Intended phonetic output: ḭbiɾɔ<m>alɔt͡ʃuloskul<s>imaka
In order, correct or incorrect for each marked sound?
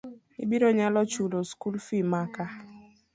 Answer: incorrect: ɲ, incorrect: f

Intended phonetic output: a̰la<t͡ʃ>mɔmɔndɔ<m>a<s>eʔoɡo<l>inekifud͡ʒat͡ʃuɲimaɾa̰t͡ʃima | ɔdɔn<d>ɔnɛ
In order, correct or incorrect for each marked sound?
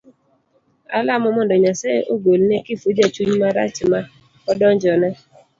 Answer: incorrect: none, incorrect: ɲ, correct, correct, incorrect: d͡ʒ

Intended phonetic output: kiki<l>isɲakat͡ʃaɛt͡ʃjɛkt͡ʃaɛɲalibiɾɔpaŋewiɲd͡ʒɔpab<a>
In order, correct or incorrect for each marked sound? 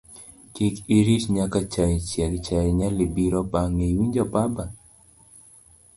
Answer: incorrect: ɾ, correct

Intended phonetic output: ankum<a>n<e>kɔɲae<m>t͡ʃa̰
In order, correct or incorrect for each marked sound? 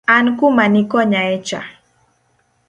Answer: correct, incorrect: i, incorrect: none

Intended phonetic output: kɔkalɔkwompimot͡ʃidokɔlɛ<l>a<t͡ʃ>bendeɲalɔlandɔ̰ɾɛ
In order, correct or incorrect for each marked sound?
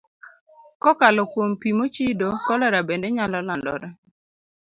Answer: incorrect: ɾ, incorrect: none

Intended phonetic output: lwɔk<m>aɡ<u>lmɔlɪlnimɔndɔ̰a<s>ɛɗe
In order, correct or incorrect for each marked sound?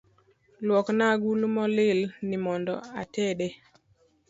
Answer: incorrect: n, correct, incorrect: t

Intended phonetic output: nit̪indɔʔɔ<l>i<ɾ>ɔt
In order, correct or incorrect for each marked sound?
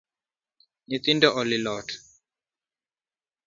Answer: correct, incorrect: l

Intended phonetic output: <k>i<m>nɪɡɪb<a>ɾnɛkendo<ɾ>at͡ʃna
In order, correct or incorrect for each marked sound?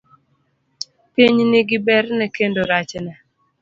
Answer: incorrect: p, incorrect: ɲ, incorrect: ɛ, correct

